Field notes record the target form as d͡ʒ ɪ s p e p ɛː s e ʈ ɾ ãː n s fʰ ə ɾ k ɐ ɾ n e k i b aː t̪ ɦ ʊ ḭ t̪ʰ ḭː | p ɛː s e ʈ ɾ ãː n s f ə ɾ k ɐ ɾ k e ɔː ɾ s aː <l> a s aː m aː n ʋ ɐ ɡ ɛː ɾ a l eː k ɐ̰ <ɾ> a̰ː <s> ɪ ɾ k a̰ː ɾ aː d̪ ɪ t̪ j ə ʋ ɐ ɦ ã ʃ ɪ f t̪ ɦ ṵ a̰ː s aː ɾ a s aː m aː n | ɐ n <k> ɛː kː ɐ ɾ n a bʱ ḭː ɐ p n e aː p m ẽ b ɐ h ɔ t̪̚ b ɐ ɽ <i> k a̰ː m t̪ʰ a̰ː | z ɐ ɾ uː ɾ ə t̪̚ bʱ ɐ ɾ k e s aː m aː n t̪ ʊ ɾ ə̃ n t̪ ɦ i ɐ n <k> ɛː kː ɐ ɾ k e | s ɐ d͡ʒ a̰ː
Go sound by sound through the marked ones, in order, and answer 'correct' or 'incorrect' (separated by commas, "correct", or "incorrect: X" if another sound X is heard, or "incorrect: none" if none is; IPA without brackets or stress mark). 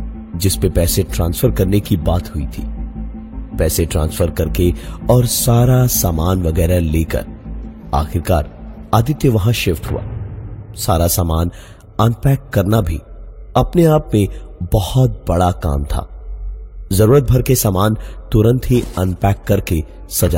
incorrect: ɾ, correct, incorrect: x, incorrect: p, incorrect: a, incorrect: p